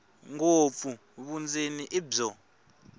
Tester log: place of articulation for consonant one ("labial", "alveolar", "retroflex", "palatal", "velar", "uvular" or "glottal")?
velar